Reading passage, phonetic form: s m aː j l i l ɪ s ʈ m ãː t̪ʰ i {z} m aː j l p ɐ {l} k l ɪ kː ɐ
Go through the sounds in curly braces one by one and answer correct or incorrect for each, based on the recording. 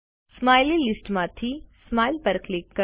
incorrect, incorrect

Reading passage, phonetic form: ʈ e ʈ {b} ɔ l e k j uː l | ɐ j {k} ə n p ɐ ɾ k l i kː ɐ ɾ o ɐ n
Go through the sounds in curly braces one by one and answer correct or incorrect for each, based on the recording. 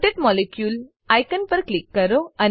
incorrect, correct

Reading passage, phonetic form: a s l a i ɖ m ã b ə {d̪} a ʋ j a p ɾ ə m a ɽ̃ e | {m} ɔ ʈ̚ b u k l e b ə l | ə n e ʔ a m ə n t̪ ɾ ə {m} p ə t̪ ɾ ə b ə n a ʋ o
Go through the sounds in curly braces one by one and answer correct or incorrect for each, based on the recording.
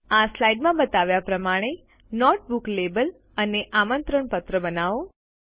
incorrect, incorrect, incorrect

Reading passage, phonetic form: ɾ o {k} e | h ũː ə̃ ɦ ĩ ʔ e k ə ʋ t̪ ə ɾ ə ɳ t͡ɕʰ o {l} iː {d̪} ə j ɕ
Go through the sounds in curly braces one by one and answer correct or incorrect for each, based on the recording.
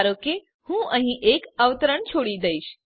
correct, incorrect, correct

